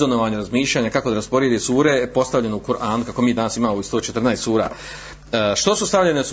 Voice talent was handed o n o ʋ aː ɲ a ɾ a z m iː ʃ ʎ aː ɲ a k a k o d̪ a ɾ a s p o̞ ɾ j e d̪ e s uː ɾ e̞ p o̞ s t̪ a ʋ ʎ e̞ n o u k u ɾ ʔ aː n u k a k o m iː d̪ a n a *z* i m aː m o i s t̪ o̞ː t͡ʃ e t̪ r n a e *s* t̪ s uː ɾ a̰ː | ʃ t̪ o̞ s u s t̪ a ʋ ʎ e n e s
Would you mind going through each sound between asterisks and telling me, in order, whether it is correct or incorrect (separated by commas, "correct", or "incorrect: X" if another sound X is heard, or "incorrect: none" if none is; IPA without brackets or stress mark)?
incorrect: s, correct